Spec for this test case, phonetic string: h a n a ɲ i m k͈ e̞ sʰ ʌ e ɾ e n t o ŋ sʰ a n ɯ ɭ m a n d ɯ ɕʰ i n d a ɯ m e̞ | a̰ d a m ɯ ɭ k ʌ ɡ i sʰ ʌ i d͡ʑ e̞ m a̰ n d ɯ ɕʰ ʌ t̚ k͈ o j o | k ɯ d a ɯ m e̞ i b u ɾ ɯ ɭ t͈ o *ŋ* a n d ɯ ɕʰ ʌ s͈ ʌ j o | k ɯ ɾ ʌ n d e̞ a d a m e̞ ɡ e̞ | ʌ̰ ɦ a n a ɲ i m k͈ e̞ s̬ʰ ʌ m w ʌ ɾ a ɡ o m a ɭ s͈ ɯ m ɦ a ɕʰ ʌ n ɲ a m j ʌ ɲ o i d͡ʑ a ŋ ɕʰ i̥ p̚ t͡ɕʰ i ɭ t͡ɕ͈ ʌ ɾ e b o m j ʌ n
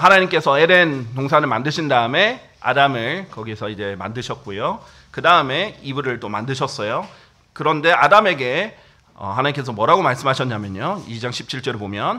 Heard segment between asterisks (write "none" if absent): m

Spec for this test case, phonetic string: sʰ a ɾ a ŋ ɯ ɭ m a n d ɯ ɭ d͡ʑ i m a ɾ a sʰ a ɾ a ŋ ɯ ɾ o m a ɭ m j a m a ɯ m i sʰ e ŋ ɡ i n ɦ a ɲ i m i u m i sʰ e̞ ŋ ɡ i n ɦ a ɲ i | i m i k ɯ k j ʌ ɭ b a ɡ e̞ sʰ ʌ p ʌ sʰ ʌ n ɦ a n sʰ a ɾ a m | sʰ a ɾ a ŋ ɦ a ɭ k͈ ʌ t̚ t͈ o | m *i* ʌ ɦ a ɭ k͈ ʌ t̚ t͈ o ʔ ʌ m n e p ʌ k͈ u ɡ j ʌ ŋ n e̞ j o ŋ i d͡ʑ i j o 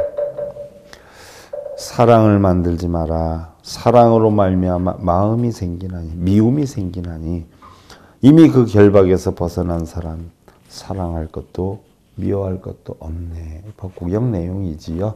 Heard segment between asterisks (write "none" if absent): i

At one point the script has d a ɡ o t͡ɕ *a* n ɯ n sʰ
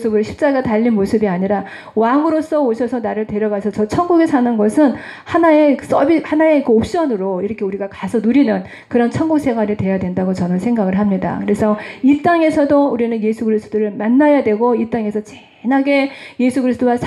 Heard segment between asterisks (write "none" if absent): ʌ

